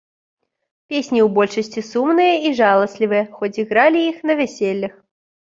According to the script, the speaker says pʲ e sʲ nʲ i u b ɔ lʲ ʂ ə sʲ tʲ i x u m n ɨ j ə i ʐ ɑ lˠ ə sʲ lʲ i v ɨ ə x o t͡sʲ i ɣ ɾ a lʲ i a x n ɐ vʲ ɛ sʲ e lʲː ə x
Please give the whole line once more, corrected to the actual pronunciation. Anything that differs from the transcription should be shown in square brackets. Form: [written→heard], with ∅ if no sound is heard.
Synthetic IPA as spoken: pʲ e sʲ nʲ i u b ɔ lʲ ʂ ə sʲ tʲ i [x→s] u m n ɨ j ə i ʐ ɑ lˠ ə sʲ lʲ i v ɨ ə x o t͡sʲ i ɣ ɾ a lʲ i [a→i] x n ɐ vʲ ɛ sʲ e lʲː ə x

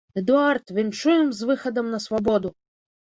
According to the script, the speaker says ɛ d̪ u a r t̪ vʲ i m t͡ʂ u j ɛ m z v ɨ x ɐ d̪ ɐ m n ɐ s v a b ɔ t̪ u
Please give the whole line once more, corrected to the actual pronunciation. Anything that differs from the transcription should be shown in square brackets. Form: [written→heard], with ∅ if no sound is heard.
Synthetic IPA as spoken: ɛ d̪ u a r t̪ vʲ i [m→n] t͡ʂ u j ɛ m z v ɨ x ɐ d̪ ɐ m n ɐ s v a b ɔ [t̪→d̪] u

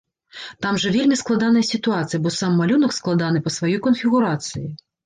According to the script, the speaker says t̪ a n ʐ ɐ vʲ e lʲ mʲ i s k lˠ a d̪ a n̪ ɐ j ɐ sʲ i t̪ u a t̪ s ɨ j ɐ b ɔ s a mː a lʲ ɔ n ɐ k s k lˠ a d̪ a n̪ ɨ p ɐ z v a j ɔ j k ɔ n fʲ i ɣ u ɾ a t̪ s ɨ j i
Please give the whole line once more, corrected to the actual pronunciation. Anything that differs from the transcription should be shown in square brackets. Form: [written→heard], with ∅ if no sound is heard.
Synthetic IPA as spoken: t̪ a [n→m] ʐ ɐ vʲ e lʲ mʲ i s k lˠ a d̪ a n̪ ɐ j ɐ sʲ i t̪ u a t̪ s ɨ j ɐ b ɔ s a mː a lʲ [ɔ→u] n ɐ k s k lˠ a d̪ a n̪ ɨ p ɐ [z→s] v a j ɔ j k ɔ n fʲ i ɣ u ɾ a t̪ s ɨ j i

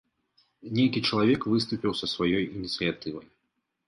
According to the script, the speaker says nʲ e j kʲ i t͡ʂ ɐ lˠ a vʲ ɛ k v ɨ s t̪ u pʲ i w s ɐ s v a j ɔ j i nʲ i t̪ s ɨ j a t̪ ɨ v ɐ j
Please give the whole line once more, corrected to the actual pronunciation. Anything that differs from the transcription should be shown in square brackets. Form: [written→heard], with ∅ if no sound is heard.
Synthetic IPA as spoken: nʲ e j kʲ i t͡ʂ ɐ lˠ a vʲ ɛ k v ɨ s t̪ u pʲ i w s ɐ s v a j ɔ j i nʲ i t̪ s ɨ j a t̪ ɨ v ɐ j

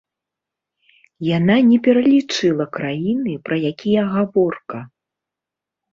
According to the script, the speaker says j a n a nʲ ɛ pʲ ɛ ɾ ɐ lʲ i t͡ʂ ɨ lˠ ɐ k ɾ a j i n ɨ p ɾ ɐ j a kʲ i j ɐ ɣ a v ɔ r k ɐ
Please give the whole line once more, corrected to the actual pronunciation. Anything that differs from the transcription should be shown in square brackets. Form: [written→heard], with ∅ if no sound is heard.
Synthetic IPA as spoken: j a n a nʲ ɛ pʲ ɛ ɾ ɐ lʲ i t͡ʂ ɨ lˠ ɐ k ɾ a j i n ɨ p ɾ ɐ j a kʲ i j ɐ ɣ a v ɔ r k ɐ

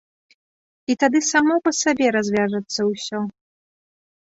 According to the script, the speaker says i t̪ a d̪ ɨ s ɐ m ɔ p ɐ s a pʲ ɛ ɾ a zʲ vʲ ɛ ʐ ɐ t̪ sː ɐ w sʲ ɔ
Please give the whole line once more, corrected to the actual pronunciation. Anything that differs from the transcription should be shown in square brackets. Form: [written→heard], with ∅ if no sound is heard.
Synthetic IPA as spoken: i t̪ a d̪ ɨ s [ɐ→a] m ɔ p ɐ s a [pʲ→bʲ] ɛ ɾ a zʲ vʲ [ɛ→a] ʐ ɐ t̪ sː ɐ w sʲ ɔ

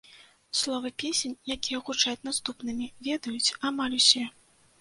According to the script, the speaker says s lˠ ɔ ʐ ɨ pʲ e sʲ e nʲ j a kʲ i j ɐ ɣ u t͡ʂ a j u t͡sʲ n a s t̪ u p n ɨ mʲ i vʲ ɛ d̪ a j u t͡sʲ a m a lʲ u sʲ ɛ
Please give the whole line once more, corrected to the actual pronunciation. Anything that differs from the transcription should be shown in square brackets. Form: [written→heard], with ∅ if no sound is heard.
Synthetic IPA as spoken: s lˠ ɔ [ʐ→v] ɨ pʲ e sʲ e nʲ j a kʲ i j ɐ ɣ u t͡ʂ a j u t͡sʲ n a s t̪ u p n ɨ mʲ i vʲ ɛ d̪ [a→ɐ] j u t͡sʲ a m a lʲ u sʲ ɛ

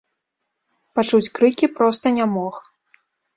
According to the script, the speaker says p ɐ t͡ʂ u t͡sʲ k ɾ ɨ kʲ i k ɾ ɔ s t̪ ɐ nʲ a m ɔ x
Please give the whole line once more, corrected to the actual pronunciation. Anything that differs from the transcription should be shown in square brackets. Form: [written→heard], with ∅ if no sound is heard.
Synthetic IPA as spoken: p [ɐ→a] t͡ʂ u t͡sʲ k ɾ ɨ kʲ i [k→p] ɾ ɔ s t̪ ɐ nʲ a m ɔ x

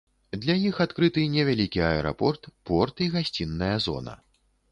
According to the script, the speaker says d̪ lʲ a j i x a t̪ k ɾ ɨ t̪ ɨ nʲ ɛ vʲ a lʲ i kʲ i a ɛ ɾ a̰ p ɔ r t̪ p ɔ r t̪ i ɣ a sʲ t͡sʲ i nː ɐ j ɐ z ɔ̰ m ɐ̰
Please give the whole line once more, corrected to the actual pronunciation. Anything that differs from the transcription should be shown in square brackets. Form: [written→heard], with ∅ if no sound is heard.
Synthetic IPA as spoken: d̪ lʲ a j i x a t̪ k ɾ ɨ t̪ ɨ nʲ ɛ vʲ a lʲ i kʲ i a ɛ ɾ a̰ p ɔ r t̪ p ɔ r t̪ i ɣ a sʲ t͡sʲ i nː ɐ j ɐ z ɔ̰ [m→n] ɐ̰

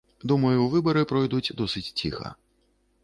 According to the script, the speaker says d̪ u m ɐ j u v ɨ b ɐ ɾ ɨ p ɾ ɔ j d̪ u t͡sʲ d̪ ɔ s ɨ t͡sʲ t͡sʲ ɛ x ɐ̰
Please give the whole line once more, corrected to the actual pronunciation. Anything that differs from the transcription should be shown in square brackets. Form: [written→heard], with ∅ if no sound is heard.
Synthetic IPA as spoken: d̪ u m ɐ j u v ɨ b ɐ ɾ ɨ p ɾ ɔ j d̪ u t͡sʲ d̪ ɔ s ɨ t͡sʲ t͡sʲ [ɛ→i] x ɐ̰

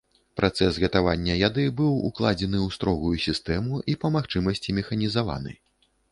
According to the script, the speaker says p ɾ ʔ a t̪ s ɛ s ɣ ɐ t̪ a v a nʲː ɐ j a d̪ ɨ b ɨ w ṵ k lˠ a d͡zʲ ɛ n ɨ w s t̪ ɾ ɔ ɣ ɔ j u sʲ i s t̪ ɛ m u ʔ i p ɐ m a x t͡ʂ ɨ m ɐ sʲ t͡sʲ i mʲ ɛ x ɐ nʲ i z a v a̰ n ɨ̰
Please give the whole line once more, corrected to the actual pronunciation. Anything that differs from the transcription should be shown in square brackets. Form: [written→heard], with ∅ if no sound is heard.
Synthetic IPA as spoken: p ɾ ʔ a t̪ s ɛ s ɣ ɐ t̪ a v a nʲː ɐ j a d̪ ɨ b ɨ w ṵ k lˠ a d͡zʲ ɛ n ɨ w s t̪ ɾ ɔ ɣ [ɔ→u] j u sʲ i s t̪ ɛ m u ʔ i p ɐ m a x t͡ʂ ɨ m ɐ sʲ t͡sʲ i mʲ ɛ x ɐ nʲ i z a v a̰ n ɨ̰

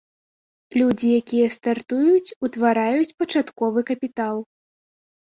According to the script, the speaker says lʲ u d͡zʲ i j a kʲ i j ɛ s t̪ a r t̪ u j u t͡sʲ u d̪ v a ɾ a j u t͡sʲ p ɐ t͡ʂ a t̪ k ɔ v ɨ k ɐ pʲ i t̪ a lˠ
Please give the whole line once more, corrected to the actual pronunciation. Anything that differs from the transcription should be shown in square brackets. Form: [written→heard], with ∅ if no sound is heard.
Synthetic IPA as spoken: lʲ u d͡zʲ i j a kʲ i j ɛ s t̪ a r t̪ u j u t͡sʲ u [d̪→t̪] v a ɾ a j u t͡sʲ p ɐ t͡ʂ a t̪ k ɔ v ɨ k ɐ pʲ i t̪ a lˠ

